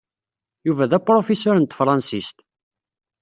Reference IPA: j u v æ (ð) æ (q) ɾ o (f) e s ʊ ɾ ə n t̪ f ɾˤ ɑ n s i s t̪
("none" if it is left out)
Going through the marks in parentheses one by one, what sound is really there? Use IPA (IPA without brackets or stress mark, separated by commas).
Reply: ð, p, f